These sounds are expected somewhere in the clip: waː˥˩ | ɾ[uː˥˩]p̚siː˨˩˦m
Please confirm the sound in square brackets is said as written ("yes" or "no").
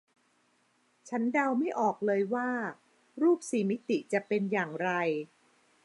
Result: yes